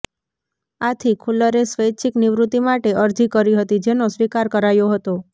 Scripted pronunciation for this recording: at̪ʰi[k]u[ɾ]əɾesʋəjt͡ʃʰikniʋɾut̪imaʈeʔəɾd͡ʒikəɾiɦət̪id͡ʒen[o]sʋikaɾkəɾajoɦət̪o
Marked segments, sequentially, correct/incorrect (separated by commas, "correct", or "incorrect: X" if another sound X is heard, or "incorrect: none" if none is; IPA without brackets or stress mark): incorrect: kʰ, incorrect: l, correct